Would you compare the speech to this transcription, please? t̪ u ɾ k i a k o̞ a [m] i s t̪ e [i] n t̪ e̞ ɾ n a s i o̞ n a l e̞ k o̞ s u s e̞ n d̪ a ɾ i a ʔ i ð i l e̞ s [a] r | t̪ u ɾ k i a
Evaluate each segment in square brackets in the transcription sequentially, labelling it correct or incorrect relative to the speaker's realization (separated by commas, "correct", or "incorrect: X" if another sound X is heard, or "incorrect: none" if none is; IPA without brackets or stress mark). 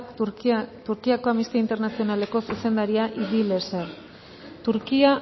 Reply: correct, correct, incorrect: e